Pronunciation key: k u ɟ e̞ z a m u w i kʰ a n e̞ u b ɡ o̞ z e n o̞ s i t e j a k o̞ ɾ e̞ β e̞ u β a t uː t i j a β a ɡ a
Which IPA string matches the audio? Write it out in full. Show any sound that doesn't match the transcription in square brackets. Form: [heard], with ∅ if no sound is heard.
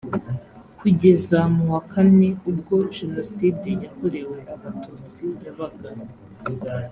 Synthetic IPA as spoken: k u ɟ e̞ z a m u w [a] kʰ a n e̞ u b ɡ o̞ [ʒ] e n o̞ s i [d] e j a k o̞ ɾ e̞ [w] e̞ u β a t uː [t͡s] i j a β a ɡ a